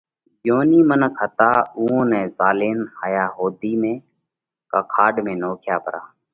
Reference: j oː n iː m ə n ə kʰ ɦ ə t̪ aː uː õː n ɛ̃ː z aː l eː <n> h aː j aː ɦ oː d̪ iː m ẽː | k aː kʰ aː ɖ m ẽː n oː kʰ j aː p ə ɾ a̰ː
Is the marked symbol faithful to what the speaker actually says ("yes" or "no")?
yes